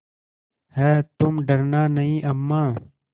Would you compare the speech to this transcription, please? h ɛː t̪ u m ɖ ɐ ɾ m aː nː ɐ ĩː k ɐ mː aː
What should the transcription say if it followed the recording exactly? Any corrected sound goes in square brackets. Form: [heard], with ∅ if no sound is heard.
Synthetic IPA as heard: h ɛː t̪ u m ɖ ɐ ɾ [n] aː [n] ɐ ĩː [ʔ] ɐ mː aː